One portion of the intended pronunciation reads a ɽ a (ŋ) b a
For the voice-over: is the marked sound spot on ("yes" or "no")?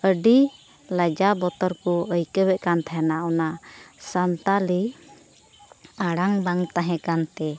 yes